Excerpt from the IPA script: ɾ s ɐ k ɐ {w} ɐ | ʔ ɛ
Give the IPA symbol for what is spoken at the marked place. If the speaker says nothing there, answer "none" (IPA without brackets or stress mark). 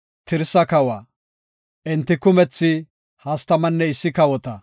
w